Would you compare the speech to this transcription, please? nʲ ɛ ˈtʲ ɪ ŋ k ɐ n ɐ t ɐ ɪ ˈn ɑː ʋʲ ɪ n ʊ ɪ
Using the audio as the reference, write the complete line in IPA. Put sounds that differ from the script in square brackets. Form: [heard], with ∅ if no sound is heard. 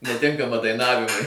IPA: nʲ ɛ ˈtʲ ɪ ŋ k ɐ [m] ɐ [d] ɐ ɪ ˈn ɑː ʋʲ ɪ [m] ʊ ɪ